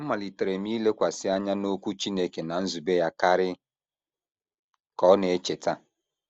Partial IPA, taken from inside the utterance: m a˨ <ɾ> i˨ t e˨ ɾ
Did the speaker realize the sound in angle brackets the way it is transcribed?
no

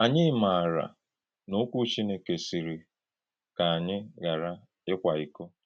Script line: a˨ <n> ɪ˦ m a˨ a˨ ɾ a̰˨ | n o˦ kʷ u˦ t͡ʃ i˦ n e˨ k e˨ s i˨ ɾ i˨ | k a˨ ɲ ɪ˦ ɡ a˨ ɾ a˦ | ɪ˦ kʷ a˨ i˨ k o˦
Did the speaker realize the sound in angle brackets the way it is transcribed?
no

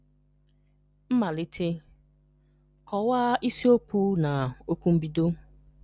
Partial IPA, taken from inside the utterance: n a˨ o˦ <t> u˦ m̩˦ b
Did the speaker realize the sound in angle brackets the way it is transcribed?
no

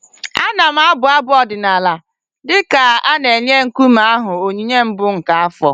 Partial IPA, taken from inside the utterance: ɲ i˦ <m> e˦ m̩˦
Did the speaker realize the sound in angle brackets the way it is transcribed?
no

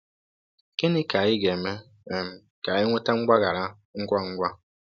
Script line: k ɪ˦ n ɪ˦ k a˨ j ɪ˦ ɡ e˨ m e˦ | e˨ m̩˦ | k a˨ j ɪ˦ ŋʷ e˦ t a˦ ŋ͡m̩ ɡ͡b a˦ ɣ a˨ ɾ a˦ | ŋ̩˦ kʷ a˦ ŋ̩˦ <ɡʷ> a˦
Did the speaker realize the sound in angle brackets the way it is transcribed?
yes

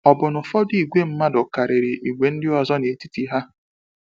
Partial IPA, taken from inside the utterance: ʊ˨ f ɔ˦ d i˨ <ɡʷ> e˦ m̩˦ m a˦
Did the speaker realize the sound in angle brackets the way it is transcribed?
yes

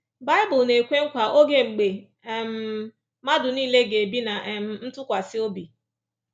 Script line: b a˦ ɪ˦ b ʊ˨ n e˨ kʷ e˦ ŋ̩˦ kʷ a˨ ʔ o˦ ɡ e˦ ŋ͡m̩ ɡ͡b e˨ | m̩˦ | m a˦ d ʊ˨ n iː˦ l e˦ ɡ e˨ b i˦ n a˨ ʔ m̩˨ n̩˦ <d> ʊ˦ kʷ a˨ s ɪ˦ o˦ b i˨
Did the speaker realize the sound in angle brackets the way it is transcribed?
no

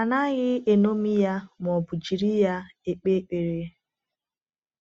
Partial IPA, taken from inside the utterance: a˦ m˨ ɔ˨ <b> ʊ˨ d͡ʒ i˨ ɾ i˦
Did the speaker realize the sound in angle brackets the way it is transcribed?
yes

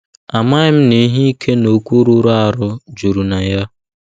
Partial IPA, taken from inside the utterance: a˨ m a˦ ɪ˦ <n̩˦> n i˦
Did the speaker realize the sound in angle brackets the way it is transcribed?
no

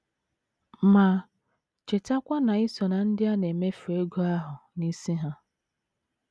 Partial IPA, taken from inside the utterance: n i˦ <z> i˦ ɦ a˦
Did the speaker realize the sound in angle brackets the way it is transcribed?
no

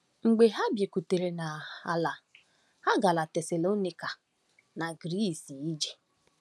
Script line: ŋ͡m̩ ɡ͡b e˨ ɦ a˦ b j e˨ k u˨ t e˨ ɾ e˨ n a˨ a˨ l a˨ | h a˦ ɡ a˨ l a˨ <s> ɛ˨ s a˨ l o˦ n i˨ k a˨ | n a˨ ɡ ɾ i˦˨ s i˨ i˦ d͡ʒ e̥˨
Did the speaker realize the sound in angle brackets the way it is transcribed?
no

